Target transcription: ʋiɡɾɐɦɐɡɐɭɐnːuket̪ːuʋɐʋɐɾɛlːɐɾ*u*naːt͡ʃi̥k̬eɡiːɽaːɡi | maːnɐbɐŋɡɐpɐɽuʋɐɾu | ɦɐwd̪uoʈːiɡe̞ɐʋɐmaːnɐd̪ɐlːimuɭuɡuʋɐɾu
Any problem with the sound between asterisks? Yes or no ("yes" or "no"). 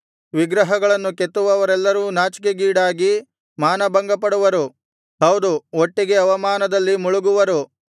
yes